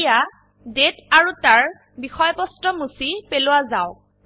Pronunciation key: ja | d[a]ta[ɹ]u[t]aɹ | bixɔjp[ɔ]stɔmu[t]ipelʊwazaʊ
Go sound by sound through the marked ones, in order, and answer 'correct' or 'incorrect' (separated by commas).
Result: incorrect, correct, correct, correct, incorrect